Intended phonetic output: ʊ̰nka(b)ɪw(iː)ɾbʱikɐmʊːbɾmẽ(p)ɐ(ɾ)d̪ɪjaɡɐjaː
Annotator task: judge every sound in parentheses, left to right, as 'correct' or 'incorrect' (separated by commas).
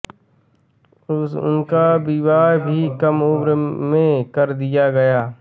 correct, incorrect, incorrect, correct